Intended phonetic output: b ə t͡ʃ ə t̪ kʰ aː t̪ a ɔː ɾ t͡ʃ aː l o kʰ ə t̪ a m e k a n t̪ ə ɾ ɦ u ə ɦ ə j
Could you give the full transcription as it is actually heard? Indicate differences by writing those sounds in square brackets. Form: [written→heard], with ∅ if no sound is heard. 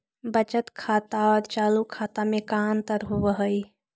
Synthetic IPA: b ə t͡ʃ ə t̪ kʰ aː t̪ a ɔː ɾ t͡ʃ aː l [o→u] kʰ [ə→a] t̪ a m e k a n t̪ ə ɾ ɦ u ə ɦ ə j